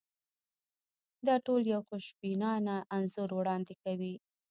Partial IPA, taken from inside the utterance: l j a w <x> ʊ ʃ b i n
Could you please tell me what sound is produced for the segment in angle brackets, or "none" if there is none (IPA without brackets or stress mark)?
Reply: x